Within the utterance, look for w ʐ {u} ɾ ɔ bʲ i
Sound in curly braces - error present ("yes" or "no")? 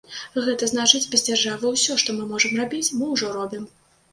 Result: yes